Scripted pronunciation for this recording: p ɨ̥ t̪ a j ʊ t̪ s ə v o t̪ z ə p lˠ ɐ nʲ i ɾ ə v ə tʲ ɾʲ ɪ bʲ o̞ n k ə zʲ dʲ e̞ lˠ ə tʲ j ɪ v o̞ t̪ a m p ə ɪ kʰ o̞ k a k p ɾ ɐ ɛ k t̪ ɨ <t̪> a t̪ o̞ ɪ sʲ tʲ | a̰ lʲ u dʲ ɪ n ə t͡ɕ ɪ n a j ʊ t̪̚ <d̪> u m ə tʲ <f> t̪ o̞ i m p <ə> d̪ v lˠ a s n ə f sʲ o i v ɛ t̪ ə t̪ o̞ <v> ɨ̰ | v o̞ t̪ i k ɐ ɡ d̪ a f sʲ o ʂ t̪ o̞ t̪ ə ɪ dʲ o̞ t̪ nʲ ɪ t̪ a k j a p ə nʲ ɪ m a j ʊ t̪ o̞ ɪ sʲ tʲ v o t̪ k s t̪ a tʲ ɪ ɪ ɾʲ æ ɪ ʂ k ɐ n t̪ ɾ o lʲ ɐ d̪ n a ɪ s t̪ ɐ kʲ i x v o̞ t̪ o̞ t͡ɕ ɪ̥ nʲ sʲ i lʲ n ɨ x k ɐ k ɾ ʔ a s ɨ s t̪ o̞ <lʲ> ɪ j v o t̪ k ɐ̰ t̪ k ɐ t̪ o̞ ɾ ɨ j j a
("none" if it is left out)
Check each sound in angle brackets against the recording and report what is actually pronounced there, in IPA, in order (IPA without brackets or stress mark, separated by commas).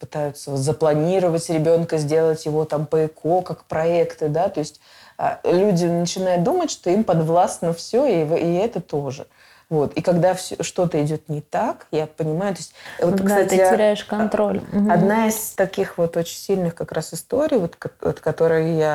d̪, d̪, ʂ, ɐ, ʐ, ɾʲ